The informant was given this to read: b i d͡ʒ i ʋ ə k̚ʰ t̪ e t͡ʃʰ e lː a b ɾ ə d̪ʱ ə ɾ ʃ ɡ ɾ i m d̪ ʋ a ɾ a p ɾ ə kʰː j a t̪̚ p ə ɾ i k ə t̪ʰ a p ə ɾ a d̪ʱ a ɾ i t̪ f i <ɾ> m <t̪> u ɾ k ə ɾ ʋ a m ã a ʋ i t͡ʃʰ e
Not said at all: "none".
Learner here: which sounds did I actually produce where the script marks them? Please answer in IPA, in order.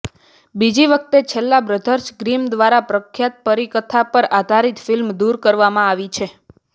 l, d̪

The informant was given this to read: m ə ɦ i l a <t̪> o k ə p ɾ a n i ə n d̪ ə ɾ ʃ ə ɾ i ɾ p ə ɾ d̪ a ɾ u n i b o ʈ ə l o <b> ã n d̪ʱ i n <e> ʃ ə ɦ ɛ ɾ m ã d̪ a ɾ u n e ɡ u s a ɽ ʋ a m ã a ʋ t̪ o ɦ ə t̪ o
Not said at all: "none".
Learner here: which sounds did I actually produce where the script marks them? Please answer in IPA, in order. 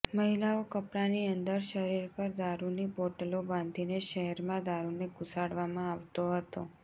none, b, e

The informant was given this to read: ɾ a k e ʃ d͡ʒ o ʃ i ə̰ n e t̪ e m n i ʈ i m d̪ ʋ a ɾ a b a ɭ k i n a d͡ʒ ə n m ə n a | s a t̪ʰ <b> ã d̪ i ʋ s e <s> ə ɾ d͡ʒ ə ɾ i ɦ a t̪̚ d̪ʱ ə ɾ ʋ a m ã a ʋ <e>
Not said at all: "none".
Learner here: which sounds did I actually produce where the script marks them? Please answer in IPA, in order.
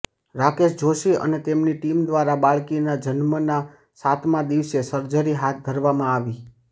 m, s, i

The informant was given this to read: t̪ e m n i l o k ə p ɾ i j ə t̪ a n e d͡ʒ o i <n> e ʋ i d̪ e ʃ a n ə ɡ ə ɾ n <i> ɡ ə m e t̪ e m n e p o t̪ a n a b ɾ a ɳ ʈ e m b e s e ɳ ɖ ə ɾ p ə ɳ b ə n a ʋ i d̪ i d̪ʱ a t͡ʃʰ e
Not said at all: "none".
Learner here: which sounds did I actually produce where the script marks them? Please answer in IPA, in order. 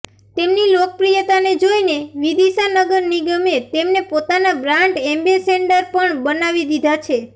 n, i

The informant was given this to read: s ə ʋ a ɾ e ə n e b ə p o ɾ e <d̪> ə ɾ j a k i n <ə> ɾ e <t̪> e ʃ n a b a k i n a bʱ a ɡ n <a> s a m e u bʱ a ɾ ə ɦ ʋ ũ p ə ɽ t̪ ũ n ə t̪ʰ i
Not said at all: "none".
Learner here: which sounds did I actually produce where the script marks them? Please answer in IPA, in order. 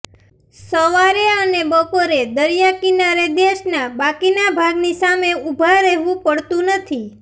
d̪, a, d̪, i

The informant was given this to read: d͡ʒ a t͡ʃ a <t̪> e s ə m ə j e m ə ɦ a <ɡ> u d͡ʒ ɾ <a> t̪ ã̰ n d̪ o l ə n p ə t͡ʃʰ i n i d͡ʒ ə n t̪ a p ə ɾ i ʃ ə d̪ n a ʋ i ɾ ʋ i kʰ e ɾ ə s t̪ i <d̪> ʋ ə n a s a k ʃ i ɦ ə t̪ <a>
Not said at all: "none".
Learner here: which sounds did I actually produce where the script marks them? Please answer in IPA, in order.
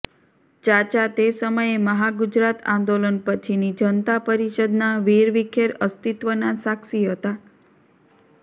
t̪, ɡ, a, t̪, a

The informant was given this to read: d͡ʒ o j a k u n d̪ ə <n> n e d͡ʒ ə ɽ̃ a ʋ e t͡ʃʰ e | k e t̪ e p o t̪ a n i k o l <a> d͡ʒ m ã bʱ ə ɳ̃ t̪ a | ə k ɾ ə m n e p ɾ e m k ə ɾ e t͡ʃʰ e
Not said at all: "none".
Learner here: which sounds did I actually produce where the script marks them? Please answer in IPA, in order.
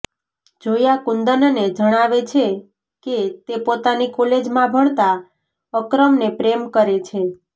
n, e

